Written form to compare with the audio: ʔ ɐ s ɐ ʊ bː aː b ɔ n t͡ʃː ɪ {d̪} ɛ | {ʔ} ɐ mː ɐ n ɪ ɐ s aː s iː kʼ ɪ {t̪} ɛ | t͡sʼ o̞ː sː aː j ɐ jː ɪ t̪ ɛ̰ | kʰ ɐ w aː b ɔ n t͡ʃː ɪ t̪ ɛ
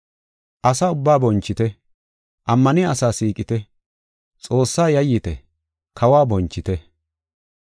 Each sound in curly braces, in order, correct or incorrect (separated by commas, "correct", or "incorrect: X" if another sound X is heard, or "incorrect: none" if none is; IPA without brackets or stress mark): incorrect: t̪, correct, correct